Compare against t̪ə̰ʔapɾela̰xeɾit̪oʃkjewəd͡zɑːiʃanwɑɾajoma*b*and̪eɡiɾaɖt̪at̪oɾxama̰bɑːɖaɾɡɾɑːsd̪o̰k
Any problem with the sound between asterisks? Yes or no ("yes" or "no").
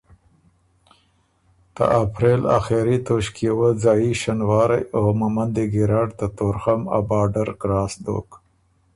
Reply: yes